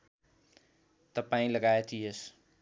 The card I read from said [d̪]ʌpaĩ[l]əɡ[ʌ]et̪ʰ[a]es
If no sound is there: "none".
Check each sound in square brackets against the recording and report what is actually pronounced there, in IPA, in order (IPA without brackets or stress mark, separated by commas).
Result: t̪, l, a, i